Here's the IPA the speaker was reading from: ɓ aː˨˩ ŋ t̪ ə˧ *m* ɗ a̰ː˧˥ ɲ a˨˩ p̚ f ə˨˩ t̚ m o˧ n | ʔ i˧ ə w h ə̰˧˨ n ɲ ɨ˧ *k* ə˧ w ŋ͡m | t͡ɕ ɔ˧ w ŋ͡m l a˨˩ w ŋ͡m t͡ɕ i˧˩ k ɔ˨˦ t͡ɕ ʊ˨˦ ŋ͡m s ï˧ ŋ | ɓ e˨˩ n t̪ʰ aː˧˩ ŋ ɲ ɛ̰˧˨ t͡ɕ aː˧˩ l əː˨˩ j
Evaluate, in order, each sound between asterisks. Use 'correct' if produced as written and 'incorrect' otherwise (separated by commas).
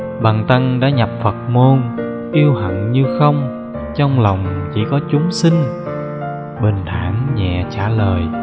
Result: incorrect, incorrect